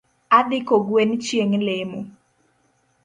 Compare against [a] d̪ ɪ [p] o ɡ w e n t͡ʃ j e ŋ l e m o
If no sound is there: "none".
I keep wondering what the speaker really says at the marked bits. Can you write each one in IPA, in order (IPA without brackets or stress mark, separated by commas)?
a, k